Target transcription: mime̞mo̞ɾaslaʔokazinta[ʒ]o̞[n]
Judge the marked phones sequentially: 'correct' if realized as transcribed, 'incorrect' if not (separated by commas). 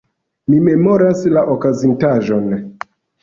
correct, correct